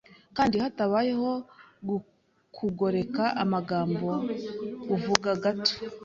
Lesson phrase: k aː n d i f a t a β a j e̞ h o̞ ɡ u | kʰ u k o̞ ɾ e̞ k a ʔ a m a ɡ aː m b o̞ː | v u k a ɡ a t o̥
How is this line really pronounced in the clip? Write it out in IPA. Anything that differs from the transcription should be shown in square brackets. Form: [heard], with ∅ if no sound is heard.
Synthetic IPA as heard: k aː n d i [h] a t a β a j e̞ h o̞ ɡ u | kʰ u [ɡ] o̞ ɾ e̞ k a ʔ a m a ɡ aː m b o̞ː | v u [ɡ] a ɡ a t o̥